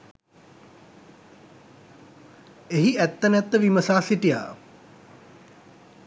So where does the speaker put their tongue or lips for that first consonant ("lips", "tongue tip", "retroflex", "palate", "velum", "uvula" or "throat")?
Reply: throat